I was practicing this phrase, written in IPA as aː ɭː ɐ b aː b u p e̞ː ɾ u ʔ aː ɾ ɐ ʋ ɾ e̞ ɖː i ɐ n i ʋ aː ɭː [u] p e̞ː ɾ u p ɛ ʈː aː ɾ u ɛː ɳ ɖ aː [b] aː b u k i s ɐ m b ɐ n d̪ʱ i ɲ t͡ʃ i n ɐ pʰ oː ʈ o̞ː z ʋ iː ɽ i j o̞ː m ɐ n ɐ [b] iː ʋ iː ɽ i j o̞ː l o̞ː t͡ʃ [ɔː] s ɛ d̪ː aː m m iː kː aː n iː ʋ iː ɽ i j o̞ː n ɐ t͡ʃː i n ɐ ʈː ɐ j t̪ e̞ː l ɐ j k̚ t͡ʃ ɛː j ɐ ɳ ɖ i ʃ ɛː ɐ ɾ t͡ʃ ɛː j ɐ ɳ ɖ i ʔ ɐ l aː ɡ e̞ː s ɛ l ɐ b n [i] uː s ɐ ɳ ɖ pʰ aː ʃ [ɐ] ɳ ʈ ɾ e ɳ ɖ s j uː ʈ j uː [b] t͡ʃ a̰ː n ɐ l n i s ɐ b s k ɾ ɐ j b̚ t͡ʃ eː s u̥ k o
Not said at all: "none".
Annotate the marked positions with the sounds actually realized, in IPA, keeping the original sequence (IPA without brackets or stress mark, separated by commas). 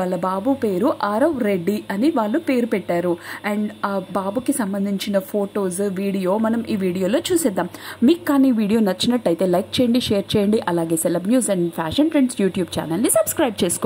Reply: u, b, m, uː, j, ɐ, b